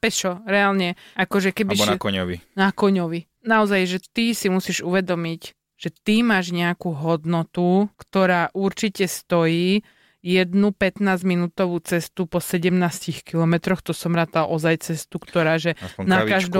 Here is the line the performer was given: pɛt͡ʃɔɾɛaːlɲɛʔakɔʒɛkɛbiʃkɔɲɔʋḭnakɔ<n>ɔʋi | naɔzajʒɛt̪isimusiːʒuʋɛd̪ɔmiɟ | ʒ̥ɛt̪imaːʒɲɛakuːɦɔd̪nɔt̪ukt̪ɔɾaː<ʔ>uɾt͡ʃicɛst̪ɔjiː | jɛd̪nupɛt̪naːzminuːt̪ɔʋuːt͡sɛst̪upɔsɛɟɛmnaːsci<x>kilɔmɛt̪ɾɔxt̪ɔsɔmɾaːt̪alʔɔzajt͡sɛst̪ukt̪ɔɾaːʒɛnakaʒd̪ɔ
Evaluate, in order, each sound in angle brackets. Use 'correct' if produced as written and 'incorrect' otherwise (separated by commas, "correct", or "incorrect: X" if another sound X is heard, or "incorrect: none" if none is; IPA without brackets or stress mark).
incorrect: ɲ, correct, correct